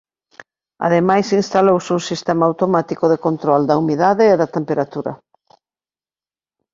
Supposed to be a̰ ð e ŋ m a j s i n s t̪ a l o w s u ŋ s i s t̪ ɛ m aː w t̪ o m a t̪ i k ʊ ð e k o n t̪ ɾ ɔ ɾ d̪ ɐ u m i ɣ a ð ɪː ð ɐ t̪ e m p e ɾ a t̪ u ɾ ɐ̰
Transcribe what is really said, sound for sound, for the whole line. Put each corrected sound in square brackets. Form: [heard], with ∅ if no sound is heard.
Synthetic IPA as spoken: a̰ ð e [∅] m a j s i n s t̪ a l o w s u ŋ s i s t̪ ɛ m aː w t̪ o m a t̪ i k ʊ ð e k o n t̪ ɾ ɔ [l] d̪ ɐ u m i [ð] a ð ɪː ð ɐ t̪ e m p e ɾ a t̪ u ɾ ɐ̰